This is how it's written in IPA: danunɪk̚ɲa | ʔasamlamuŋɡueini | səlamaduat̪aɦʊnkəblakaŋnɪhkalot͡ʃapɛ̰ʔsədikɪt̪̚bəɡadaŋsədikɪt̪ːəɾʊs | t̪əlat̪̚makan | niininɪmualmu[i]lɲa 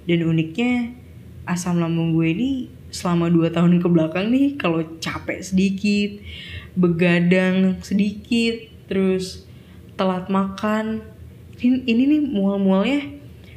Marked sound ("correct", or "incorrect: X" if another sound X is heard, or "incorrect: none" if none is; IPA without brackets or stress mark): incorrect: a